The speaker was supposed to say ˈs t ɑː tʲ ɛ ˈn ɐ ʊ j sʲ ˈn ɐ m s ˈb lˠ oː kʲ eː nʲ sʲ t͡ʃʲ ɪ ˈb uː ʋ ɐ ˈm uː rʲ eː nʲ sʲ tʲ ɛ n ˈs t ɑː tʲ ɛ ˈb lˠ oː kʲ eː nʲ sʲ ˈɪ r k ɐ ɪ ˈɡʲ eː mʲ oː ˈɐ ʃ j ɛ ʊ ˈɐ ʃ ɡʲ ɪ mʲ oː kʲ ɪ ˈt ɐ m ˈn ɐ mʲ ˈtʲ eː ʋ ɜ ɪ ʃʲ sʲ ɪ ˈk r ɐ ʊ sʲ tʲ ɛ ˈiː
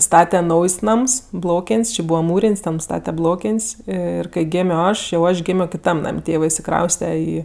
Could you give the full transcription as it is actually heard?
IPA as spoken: ˈs t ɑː tʲ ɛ ˈn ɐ ʊ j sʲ ˈn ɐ m s ˈb lˠ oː kʲ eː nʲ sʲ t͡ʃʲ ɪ ˈb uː ʋ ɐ ˈm uː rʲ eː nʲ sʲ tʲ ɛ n ˈs t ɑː tʲ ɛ ˈb lˠ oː kʲ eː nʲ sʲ ˈɪ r k ɐ ɪ ˈɡʲ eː mʲ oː ˈɐ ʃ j ɛ ʊ ˈɐ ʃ ɡʲ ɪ mʲ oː kʲ ɪ ˈt ɐ m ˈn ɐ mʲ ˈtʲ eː ʋ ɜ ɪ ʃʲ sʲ ɪ ˈk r ɐ ʊ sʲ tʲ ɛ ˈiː